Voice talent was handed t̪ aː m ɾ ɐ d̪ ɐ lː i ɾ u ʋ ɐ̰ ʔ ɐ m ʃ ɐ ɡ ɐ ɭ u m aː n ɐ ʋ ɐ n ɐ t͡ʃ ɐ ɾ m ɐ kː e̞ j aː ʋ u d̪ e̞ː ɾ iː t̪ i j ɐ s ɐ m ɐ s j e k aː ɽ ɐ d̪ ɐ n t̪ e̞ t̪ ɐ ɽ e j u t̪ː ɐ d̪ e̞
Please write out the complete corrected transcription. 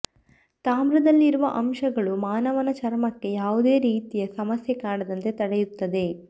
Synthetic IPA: t̪ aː m ɾ ɐ d̪ ɐ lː i ɾ u ʋ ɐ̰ ʔ ɐ m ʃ ɐ ɡ ɐ ɭ u m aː n ɐ ʋ ɐ n ɐ t͡ʃ ɐ ɾ m ɐ kː e̞ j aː ʋ u d̪ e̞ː ɾ iː t̪ i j ɐ s ɐ m ɐ s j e k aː ɽ ɐ d̪ ɐ n t̪ e̞ t̪ ɐ ɽ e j u t̪ː ɐ d̪ e̞

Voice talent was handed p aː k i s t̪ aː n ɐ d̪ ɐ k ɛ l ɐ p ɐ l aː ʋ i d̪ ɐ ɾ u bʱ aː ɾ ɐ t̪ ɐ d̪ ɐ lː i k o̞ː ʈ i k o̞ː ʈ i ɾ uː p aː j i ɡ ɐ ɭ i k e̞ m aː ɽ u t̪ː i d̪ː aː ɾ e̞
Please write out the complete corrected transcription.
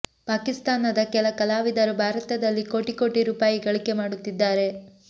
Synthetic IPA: p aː k i s t̪ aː n ɐ d̪ ɐ k ɛ l ɐ k ɐ l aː ʋ i d̪ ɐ ɾ u bʱ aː ɾ ɐ t̪ ɐ d̪ ɐ lː i k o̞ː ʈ i k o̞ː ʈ i ɾ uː p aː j i ɡ ɐ ɭ i k e̞ m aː ɽ u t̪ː i d̪ː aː ɾ e̞

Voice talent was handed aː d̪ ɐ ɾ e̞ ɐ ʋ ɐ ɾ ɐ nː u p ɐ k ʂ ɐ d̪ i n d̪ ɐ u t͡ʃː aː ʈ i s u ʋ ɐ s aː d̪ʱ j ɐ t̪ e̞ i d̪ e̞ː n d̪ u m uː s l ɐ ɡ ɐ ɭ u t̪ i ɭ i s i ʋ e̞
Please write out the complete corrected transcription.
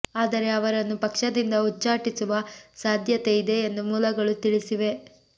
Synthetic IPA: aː d̪ ɐ ɾ e̞ ɐ ʋ ɐ ɾ ɐ nː u p ɐ k ʂ ɐ d̪ i n d̪ ɐ u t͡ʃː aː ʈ i s u ʋ ɐ s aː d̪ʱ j ɐ t̪ e̞ i d̪ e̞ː n d̪ u m uː l ɐ ɡ ɐ ɭ u t̪ i ɭ i s i ʋ e̞

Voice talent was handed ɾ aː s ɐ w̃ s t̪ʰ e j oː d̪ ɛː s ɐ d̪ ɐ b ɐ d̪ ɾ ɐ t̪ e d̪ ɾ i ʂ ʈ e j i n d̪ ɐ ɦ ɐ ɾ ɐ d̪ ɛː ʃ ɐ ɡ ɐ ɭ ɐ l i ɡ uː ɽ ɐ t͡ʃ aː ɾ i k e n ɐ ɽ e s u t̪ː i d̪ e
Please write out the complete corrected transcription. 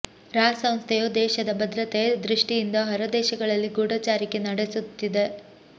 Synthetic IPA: ɾ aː s ɐ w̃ s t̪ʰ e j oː d̪ ɛː ʃ ɐ d̪ ɐ b ɐ d̪ ɾ ɐ t̪ e d̪ ɾ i ʂ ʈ i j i n d̪ ɐ ɦ ɐ ɾ ɐ d̪ ɛː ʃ ɐ ɡ ɐ ɭ ɐ lː i ɡ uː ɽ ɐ t͡ʃ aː ɾ i k e n ɐ ɽ e s u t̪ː i d̪ e

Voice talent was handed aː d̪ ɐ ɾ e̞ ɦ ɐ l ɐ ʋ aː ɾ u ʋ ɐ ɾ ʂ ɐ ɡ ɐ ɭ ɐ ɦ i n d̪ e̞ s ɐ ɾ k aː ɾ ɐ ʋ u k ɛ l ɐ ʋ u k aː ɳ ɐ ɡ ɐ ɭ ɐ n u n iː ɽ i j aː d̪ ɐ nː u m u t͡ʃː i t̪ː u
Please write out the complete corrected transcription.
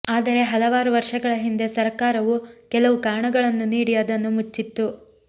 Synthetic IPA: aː d̪ ɐ ɾ e̞ ɦ ɐ l ɐ ʋ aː ɾ u ʋ ɐ ɾ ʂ ɐ ɡ ɐ ɭ ɐ ɦ i n d̪ e̞ s ɐ ɾ k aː ɾ ɐ ʋ u k ɛ l ɐ ʋ u k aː ɳ ɐ ɡ ɐ ɭ ɐ nː u n iː ɽ i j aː d̪ ɐ nː u m u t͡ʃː i t̪ː u

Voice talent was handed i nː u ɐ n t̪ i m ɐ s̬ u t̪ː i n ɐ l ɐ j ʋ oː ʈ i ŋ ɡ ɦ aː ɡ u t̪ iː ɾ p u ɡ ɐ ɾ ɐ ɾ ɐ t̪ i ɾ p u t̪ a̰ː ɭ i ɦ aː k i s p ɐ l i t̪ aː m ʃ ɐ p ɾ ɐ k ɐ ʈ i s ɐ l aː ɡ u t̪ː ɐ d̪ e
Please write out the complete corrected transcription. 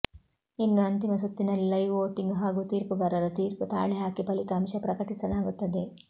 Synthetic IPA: i nː u ɐ n t̪ i m ɐ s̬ u t̪ː i n ɐ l ɐ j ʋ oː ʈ i ŋ ɡ ɦ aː ɡ u t̪ iː ɾ p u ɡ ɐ ɾ ɐ ɾ ɐ t̪ iː ɾ p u t̪ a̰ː ɭ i ɦ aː k i p ɐ l i t̪ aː m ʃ ɐ p ɾ ɐ k ɐ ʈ i s ɐ l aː ɡ u t̪ː ɐ d̪ e

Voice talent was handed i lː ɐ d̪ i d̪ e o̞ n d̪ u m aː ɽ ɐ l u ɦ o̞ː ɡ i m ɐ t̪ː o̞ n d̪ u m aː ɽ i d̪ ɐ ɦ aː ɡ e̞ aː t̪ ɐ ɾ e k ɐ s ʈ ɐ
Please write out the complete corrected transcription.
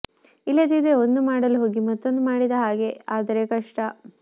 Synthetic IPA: i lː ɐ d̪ i d̪ e o̞ n d̪ u m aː ɽ ɐ l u ɦ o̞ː ɡ i m ɐ t̪ː o̞ n d̪ u m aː ɽ i d̪ ɐ ɦ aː ɡ e̞ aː d̪ ɐ ɾ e k ɐ ʂ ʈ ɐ

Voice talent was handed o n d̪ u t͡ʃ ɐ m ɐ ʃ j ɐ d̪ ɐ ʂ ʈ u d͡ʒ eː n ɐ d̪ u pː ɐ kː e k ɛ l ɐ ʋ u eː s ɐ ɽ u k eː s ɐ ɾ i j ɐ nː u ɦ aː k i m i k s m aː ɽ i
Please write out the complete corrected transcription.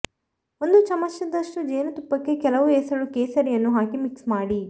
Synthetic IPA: o n d̪ u t͡ʃ ɐ m ɐ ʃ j ɐ d̪ ɐ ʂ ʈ u d͡ʒ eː n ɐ t̪ u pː ɐ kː e k ɛ l ɐ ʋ u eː s ɐ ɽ u k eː s ɐ ɾ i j ɐ nː u ɦ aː k i m i k s m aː ɽ i

